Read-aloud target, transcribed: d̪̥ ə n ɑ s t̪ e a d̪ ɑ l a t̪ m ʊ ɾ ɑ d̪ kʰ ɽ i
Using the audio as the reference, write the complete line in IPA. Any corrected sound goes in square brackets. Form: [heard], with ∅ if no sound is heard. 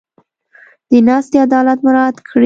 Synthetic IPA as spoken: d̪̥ ə n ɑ s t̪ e a d̪ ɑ l a t̪ m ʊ ɾ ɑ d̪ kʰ ɽ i